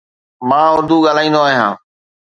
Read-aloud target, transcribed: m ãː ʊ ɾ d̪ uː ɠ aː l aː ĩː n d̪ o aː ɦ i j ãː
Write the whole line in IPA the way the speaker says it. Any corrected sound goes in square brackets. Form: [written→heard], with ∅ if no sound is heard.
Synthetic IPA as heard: m ãː ʊ ɾ d̪ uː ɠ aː l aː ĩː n d̪ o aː ɦ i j ãː